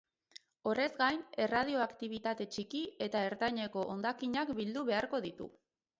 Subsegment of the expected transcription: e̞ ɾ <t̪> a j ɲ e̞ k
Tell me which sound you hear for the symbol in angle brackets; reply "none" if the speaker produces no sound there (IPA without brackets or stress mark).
t̪